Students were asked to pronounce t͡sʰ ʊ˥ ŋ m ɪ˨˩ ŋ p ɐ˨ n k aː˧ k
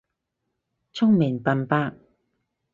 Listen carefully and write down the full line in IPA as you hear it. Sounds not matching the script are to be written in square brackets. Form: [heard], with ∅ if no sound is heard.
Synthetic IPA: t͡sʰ ʊ˥ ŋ m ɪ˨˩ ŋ p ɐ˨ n [p] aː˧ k